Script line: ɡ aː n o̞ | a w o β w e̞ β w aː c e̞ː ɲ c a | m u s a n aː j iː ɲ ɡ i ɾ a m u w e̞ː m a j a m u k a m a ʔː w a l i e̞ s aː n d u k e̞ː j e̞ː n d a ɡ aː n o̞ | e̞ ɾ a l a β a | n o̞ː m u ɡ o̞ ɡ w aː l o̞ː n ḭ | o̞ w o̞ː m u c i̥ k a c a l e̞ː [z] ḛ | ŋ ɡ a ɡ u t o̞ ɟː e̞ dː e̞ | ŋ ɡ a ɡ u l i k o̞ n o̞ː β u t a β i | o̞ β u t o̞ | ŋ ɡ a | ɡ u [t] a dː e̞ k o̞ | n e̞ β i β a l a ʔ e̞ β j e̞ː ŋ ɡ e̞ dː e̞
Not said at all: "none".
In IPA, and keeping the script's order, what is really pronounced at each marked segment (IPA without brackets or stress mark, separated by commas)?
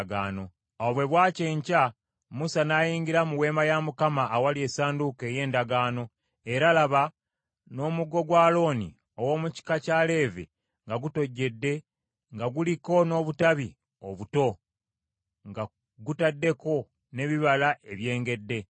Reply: v, t